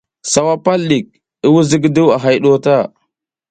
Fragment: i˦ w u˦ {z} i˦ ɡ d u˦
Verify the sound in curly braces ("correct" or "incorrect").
correct